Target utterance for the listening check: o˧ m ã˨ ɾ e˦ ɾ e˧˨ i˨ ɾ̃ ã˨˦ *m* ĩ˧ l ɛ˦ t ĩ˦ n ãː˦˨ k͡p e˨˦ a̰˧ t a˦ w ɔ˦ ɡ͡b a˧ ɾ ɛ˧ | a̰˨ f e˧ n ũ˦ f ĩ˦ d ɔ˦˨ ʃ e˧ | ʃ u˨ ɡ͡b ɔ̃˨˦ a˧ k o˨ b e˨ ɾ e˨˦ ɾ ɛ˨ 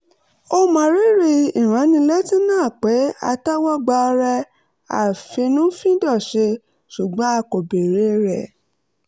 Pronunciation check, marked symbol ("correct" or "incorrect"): incorrect